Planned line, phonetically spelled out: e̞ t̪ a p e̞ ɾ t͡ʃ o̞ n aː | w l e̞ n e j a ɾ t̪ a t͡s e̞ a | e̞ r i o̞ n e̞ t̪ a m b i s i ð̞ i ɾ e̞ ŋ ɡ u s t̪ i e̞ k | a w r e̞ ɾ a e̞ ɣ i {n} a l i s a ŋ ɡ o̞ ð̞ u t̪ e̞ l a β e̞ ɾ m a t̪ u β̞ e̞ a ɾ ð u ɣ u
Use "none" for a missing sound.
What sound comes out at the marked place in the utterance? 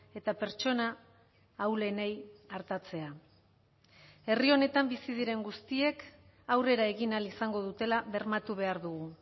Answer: n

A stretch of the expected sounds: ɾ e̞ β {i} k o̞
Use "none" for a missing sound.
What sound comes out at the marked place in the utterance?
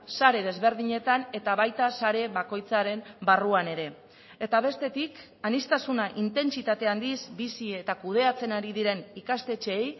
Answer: a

